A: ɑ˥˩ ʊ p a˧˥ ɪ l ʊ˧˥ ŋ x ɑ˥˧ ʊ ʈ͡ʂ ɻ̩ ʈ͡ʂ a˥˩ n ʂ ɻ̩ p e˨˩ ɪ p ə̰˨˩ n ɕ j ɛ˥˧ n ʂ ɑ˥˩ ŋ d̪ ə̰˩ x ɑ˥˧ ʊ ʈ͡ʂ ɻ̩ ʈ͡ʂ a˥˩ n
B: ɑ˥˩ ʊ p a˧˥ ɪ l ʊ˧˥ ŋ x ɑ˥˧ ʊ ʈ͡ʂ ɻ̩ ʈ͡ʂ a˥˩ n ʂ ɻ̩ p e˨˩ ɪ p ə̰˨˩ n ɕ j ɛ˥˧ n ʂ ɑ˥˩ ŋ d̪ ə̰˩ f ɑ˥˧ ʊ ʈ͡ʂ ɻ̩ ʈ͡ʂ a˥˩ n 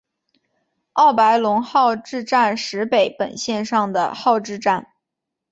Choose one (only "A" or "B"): A